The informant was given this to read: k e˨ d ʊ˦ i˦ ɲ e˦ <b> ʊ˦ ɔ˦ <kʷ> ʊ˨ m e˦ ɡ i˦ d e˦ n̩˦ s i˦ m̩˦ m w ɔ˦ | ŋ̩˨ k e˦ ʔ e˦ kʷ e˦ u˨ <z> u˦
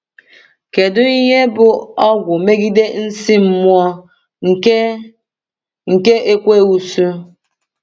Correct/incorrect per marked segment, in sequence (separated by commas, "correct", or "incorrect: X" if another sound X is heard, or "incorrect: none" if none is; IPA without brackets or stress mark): correct, incorrect: ɡʷ, incorrect: s